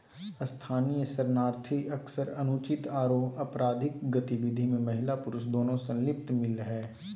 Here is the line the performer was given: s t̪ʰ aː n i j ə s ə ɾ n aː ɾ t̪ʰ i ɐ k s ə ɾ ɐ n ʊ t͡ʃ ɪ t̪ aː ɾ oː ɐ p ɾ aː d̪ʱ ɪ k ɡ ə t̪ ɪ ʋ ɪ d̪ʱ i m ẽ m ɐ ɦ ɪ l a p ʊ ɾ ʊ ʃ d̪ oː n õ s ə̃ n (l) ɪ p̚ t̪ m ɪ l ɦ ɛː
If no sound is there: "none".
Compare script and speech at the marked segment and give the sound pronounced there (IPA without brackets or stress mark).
l